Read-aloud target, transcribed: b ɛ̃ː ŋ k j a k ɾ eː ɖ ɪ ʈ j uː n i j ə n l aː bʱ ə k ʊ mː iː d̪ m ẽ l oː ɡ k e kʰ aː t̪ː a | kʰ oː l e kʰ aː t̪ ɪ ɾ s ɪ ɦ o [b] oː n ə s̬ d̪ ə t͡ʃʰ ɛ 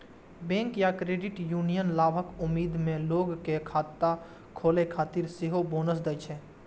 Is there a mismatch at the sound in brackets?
no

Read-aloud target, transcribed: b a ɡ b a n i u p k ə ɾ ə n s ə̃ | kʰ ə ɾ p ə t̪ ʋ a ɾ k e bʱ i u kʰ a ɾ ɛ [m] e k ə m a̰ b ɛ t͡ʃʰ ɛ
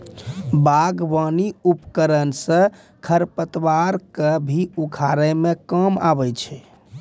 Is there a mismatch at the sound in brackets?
no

